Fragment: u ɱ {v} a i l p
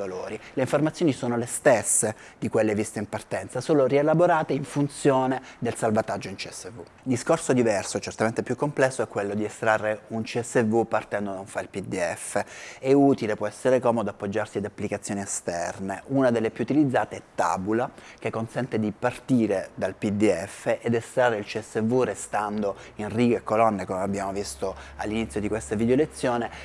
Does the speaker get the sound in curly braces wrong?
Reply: yes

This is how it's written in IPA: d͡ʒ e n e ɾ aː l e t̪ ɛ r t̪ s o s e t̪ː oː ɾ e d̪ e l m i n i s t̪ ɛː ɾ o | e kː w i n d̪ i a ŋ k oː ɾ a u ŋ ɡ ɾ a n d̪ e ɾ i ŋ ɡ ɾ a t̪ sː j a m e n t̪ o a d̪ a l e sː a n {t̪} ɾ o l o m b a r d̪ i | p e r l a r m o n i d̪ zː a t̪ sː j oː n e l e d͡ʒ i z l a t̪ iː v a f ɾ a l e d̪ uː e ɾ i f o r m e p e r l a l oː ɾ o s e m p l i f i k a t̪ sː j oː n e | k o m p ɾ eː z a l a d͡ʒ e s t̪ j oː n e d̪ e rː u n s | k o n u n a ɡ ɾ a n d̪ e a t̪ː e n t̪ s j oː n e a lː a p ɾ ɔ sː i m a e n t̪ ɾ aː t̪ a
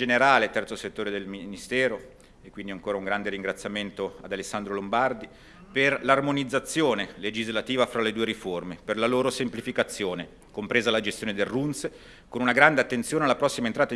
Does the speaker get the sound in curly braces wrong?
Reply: yes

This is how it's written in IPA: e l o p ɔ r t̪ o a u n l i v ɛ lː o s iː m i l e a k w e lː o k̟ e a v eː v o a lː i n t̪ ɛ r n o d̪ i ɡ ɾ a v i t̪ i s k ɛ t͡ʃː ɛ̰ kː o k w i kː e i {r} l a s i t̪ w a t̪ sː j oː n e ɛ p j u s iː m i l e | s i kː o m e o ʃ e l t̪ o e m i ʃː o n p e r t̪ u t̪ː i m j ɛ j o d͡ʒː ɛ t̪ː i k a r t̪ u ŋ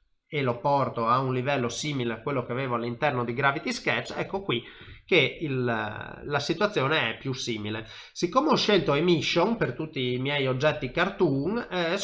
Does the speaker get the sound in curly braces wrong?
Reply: yes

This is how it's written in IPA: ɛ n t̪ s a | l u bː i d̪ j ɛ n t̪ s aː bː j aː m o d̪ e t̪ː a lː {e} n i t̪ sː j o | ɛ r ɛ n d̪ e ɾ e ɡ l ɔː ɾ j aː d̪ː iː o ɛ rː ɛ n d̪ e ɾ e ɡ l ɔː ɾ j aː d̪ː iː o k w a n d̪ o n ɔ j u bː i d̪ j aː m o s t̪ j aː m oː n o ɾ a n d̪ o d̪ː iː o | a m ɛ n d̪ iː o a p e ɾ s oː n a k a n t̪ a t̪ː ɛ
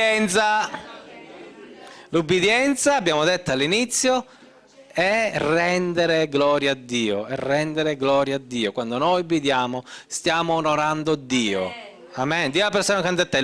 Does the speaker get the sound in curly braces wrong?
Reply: yes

